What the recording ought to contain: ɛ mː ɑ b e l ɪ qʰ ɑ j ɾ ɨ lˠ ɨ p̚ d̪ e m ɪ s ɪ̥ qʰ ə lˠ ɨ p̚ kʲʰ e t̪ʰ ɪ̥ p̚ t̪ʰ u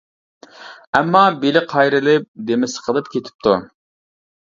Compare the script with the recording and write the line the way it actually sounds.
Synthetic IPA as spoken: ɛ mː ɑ b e l ɪ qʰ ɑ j ɾ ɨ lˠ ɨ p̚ d̪ e m ɪ s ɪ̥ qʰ ə lˠ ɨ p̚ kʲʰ e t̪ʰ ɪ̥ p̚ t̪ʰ u